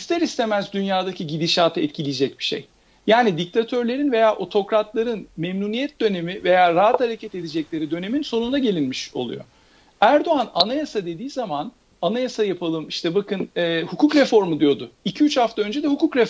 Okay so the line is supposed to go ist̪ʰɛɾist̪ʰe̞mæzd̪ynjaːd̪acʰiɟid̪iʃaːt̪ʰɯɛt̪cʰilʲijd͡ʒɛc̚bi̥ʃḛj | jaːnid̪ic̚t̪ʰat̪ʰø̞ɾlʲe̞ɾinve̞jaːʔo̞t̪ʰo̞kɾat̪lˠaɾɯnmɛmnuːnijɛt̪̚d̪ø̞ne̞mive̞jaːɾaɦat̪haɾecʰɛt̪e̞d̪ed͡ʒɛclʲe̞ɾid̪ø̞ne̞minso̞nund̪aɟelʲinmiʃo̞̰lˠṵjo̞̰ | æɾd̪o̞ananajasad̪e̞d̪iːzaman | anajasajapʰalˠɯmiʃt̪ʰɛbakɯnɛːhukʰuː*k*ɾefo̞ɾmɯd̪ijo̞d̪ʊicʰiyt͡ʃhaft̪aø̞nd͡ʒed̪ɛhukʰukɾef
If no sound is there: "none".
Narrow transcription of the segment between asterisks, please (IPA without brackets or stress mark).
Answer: k